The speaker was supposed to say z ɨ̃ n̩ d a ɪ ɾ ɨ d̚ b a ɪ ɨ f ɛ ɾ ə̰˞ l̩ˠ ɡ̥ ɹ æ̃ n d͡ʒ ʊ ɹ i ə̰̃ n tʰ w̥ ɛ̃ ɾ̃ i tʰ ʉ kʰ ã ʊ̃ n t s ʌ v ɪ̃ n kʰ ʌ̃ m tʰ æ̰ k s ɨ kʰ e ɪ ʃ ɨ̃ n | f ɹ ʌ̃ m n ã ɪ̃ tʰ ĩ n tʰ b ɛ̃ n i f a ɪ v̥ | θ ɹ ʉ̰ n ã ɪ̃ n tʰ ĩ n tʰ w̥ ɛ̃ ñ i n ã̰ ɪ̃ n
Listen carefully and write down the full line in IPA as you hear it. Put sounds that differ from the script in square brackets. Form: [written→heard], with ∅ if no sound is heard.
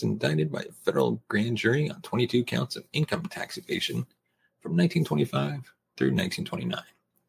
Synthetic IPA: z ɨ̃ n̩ d a ɪ ɾ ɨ d̚ b a ɪ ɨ f ɛ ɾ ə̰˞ l̩ˠ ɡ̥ ɹ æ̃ n d͡ʒ ʊ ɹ i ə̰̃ n tʰ w̥ ɛ̃ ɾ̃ i tʰ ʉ kʰ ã ʊ̃ n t s ʌ v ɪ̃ n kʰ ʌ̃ m tʰ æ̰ k s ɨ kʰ e ɪ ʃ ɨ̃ n | f ɹ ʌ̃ m n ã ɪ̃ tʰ ĩ n tʰ [b→w] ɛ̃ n i f a ɪ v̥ | θ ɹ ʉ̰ n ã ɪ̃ n tʰ ĩ n tʰ w̥ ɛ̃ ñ i n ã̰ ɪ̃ n